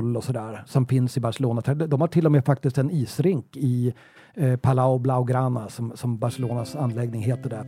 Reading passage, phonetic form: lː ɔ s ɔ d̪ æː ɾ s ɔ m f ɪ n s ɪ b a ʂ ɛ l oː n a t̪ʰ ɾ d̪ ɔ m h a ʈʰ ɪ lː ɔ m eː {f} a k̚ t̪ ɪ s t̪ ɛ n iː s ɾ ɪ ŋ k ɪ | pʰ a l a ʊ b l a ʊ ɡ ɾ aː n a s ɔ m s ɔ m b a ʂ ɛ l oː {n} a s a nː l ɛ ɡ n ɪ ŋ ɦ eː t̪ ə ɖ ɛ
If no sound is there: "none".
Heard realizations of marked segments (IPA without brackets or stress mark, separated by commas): f, n